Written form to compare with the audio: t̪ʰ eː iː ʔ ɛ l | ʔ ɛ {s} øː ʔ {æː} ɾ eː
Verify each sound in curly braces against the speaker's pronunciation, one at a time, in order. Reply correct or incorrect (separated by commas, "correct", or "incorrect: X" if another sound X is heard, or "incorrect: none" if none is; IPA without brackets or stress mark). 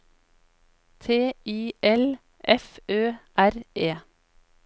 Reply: incorrect: f, incorrect: æ